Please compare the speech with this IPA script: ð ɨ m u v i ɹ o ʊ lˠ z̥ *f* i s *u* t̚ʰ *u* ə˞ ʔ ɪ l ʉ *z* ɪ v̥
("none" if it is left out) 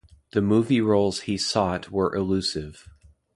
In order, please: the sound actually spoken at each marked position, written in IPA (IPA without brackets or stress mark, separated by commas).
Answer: h, ɔ, w, s